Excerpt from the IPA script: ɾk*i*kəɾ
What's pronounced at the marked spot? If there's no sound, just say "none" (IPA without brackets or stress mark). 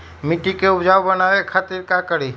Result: a